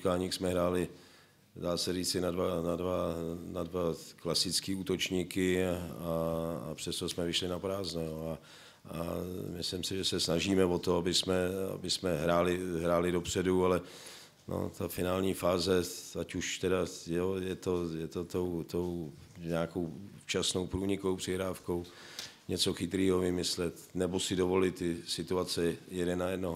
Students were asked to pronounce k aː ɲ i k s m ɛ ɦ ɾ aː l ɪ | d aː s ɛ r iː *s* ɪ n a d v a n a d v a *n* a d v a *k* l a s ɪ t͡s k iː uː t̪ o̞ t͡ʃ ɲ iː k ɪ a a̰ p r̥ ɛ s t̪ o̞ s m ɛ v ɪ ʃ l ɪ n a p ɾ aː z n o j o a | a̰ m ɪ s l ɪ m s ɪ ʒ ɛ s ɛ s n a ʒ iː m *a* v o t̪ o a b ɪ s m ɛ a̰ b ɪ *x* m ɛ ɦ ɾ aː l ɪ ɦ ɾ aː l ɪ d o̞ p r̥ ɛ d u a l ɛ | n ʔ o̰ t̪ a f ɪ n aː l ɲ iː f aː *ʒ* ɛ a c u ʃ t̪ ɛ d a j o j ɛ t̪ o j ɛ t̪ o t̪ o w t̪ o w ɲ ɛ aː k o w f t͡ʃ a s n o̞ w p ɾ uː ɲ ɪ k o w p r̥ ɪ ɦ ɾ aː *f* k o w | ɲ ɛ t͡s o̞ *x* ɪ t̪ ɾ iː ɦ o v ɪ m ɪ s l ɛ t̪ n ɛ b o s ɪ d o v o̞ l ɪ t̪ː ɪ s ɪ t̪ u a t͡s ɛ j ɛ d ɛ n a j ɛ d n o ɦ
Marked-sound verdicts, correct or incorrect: incorrect: t͡s, correct, correct, incorrect: ɛ, incorrect: s, incorrect: z, correct, correct

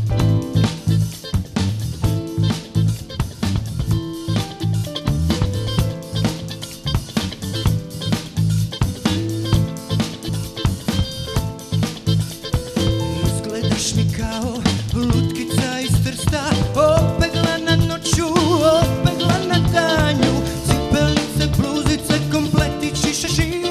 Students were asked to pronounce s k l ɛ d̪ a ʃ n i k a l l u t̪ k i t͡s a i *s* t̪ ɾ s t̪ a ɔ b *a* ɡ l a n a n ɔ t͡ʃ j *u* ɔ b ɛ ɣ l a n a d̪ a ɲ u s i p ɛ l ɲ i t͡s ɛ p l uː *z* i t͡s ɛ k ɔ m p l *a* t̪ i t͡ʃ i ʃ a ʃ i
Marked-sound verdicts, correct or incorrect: correct, incorrect: ɛ, correct, correct, incorrect: ɛ

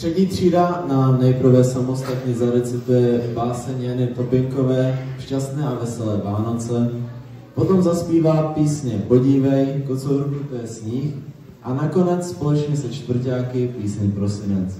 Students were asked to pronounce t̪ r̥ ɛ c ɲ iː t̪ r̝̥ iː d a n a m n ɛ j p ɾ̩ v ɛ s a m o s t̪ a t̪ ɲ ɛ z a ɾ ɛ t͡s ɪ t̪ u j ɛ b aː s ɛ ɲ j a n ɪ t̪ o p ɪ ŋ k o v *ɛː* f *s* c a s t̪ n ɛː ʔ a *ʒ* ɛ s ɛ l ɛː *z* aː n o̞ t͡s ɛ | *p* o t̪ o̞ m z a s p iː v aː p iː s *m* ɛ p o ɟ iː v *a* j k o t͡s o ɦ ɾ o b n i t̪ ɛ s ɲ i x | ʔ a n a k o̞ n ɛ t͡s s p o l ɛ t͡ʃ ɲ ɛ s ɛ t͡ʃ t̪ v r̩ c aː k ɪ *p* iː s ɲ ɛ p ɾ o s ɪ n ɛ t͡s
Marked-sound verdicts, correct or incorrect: correct, incorrect: ʃ, incorrect: v, incorrect: v, correct, incorrect: ɲ, incorrect: ɛ, correct

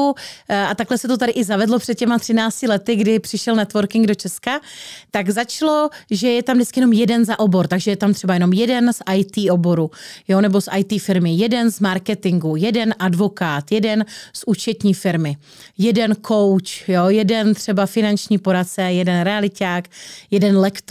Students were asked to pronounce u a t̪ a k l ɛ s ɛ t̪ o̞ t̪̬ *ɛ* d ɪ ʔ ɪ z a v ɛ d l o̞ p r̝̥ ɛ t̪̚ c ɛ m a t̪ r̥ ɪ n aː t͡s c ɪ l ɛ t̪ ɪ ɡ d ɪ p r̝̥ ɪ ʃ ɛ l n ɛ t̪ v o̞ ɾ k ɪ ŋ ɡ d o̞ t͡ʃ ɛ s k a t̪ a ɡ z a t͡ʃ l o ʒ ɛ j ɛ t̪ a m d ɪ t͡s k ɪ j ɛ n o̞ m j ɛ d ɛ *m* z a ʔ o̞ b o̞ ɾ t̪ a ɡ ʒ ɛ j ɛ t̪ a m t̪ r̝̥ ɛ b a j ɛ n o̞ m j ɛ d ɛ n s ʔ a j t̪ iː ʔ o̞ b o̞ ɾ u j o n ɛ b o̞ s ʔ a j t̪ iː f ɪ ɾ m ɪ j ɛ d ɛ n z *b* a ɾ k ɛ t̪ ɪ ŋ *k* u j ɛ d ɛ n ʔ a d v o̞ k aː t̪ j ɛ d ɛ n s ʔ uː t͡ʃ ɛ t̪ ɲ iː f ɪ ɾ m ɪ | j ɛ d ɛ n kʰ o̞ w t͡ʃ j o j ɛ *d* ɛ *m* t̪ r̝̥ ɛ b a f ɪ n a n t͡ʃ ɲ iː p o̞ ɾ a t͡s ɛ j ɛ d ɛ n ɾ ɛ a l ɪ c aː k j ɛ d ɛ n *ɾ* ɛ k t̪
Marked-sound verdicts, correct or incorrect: incorrect: a, incorrect: n, incorrect: m, incorrect: ɡ, correct, incorrect: n, incorrect: l

